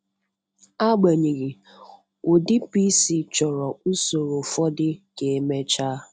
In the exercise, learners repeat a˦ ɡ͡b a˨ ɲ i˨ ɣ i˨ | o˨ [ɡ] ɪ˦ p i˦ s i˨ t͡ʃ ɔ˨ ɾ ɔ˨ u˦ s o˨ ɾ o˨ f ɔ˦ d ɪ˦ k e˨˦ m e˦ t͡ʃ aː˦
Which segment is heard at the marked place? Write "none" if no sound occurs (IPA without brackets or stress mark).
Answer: d